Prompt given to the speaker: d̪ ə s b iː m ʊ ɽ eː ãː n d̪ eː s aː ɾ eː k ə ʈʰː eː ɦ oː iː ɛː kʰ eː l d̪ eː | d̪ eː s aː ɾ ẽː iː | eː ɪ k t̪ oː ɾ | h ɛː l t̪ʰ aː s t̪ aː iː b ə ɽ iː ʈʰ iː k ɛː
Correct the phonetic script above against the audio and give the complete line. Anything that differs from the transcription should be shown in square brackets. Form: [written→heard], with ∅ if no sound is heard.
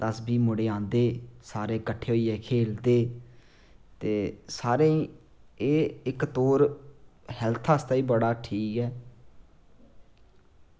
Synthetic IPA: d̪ ə s b iː m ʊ ɽ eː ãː n d̪ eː s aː ɾ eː k ə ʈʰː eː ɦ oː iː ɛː kʰ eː l d̪ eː | [d̪→t̪] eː s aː ɾ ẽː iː | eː ɪ k t̪ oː ɾ | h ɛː l t̪ʰ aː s t̪ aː iː b ə ɽ [iː→aː] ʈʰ iː k ɛː